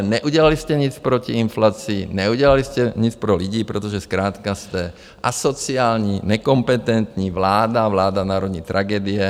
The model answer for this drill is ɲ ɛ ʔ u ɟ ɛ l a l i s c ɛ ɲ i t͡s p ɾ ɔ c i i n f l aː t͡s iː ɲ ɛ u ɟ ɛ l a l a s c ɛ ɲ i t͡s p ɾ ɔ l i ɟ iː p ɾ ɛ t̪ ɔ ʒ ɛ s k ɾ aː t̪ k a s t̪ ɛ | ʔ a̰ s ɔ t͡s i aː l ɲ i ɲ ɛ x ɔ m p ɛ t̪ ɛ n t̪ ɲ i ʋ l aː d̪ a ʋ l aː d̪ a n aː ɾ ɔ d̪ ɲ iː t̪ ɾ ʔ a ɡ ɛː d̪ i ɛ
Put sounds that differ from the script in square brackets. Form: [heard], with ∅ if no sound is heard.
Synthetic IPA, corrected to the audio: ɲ ɛ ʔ u ɟ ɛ l a l i s c ɛ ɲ i t͡s p ɾ ɔ c i i n f l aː t͡s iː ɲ ɛ u ɟ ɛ l a l [i] s c ɛ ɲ i t͡s p ɾ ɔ l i ɟ iː p ɾ ɛ t̪ ɔ ʒ ɛ s k ɾ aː t̪ k a s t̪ ɛ | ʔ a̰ s ɔ t͡s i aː l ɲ i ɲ ɛ [k] ɔ m p ɛ t̪ ɛ n t̪ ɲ i ʋ l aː d̪ a ʋ l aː d̪ a n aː ɾ ɔ d̪ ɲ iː t̪ ɾ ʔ a ɡ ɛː d̪ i ɛ

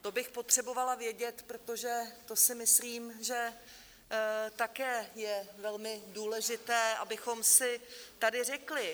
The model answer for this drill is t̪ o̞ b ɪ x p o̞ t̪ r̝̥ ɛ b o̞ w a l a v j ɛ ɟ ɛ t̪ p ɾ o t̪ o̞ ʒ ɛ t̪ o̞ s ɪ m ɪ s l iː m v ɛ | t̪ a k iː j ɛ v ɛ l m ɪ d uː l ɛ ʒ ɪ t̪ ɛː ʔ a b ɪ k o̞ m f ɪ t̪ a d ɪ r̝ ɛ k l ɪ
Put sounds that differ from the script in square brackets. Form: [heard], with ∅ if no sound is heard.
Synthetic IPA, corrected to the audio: t̪ o̞ b ɪ x p o̞ t̪ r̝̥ ɛ b o̞ [v] a l a v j ɛ ɟ ɛ t̪ p ɾ o t̪ o̞ ʒ ɛ t̪ o̞ s ɪ m ɪ s l iː m [ʒ] ɛ | t̪ a k [ɛː] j ɛ v ɛ l m ɪ d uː l ɛ ʒ ɪ t̪ ɛː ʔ a b ɪ [x] o̞ m [s] ɪ t̪ a d ɪ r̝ ɛ k l ɪ

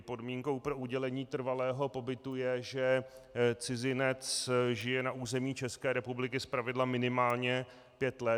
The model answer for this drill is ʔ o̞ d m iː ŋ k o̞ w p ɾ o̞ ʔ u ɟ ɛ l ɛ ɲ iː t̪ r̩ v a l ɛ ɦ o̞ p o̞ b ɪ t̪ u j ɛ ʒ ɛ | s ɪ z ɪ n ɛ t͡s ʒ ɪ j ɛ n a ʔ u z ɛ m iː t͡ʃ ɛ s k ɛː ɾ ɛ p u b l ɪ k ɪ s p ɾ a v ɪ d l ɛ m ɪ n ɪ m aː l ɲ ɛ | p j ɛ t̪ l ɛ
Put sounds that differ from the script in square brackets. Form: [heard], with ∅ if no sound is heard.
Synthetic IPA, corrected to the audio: [p] o̞ d m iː ŋ k o̞ w p ɾ o̞ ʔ u ɟ ɛ l ɛ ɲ iː t̪ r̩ v a l [ɛː] ɦ o̞ p o̞ b ɪ t̪ u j ɛ ʒ ɛ | [t͡s] ɪ z ɪ n ɛ t͡s ʒ ɪ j ɛ n a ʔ u z ɛ m iː t͡ʃ ɛ s k ɛː ɾ ɛ p u b l ɪ k ɪ s p ɾ a v ɪ d l [a] m ɪ n ɪ m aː l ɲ ɛ | p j ɛ t̪ l ɛ

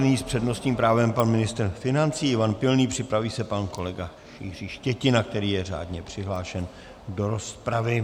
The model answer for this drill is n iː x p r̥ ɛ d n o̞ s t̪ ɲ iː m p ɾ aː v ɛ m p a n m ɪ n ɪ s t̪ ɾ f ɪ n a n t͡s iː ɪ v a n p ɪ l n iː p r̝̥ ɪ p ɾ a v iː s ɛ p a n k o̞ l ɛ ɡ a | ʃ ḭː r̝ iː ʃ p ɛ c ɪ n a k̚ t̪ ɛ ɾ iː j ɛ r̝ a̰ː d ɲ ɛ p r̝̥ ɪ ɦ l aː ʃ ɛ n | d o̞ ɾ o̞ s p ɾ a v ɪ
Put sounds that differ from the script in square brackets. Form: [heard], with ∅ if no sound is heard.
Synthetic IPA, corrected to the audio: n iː [s] p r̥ ɛ d n o̞ s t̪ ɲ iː m p ɾ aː v ɛ m p a n m ɪ n ɪ s t̪ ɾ f ɪ n a n t͡s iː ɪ v a n p ɪ l n iː p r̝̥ ɪ p ɾ a v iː s ɛ p a n k o̞ l ɛ ɡ a | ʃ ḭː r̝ iː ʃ [c] ɛ c ɪ n a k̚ t̪ ɛ ɾ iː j ɛ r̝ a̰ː d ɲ ɛ p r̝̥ ɪ ɦ l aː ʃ ɛ n | d o̞ ɾ o̞ s p ɾ a v ɪ

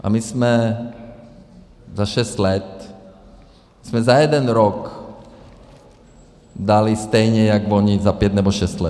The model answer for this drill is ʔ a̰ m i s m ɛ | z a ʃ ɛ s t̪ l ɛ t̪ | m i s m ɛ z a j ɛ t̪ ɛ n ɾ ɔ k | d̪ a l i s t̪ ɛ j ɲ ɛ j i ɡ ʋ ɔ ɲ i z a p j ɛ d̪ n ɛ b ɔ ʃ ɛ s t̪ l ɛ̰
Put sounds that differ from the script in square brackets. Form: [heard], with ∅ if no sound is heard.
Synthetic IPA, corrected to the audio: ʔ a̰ m i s m ɛ | z a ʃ ɛ s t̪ l ɛ t̪ | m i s m ɛ z a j ɛ [d̪] ɛ n ɾ ɔ k | d̪ a l i s t̪ ɛ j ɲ ɛ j [a] ɡ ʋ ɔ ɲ i z a p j ɛ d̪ n ɛ b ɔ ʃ ɛ s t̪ l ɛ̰

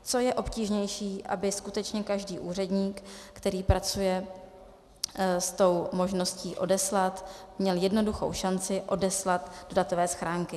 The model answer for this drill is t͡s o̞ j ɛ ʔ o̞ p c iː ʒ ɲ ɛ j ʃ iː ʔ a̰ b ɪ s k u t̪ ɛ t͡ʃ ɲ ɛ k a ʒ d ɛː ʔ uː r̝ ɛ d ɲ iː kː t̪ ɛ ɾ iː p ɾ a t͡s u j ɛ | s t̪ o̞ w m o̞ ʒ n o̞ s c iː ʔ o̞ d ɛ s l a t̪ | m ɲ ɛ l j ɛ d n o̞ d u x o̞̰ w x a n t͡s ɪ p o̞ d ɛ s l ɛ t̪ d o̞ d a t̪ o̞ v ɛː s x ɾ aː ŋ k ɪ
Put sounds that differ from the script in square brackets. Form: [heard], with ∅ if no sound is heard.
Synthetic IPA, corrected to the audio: t͡s o̞ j ɛ ʔ o̞ p c iː ʒ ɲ ɛ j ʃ iː ʔ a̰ b ɪ s k u t̪ ɛ t͡ʃ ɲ ɛ k a ʒ d [iː] ʔ uː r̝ ɛ d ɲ iː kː t̪ ɛ ɾ iː p ɾ a t͡s u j ɛ | s t̪ o̞ w m o̞ ʒ n o̞ s c iː ʔ o̞ d ɛ s l a t̪ | m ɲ ɛ l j ɛ d n o̞ d u x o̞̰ w [ʃ] a n t͡s ɪ [ʔ] o̞ d ɛ s l [a] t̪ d o̞ d a t̪ o̞ v ɛː s x ɾ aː ŋ k ɪ

